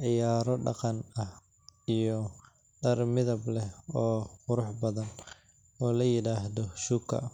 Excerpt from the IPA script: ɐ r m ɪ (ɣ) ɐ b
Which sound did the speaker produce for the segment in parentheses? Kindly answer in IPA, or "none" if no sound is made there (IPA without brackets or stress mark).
ð